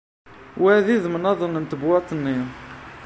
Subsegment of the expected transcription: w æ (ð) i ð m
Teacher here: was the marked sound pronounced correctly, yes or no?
yes